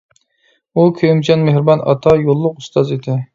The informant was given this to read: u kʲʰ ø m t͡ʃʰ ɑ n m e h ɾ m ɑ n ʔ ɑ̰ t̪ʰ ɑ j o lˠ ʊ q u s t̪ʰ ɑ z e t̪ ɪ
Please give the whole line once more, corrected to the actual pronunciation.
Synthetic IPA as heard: u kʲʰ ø m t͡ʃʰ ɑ n m e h ɾ b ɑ n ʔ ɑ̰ t̪ʰ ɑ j o lˠː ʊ q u s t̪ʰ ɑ z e d̪ ɪ